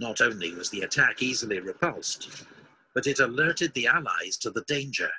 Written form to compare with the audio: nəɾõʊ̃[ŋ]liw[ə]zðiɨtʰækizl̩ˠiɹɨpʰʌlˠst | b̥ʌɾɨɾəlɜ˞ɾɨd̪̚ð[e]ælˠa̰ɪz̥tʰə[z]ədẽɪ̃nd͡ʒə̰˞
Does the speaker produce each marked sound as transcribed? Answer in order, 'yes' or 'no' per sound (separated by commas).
no, no, no, no